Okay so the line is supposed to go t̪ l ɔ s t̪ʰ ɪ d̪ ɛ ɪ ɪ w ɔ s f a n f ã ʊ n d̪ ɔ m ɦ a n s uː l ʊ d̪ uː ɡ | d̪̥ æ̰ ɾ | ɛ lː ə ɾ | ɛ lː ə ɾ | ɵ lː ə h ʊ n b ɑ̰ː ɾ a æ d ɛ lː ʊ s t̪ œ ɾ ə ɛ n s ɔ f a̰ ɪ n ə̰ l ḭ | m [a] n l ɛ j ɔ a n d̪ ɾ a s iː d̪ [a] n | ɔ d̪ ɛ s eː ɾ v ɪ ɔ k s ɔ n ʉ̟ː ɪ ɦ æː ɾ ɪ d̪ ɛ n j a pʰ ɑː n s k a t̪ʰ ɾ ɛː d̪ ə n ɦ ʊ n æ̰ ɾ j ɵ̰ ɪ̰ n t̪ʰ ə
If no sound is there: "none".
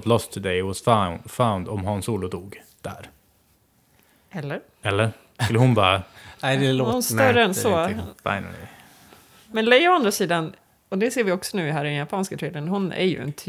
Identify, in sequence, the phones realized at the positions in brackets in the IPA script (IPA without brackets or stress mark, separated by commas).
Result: ɛ, a